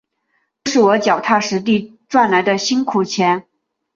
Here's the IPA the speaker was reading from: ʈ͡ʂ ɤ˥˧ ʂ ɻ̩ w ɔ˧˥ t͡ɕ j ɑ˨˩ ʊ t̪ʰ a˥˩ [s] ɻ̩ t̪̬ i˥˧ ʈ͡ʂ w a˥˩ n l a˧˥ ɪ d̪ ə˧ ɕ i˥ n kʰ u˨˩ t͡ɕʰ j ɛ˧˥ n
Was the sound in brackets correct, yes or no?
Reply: no